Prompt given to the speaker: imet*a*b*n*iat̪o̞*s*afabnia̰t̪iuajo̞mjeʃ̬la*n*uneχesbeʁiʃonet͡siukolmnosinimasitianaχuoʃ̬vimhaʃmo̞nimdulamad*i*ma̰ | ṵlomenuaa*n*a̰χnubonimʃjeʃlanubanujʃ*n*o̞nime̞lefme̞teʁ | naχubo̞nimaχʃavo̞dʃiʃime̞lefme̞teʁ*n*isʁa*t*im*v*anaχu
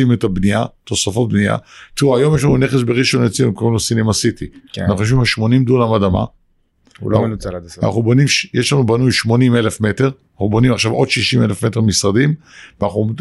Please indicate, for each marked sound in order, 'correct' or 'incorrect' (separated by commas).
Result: correct, correct, correct, correct, incorrect, correct, incorrect, incorrect, incorrect, correct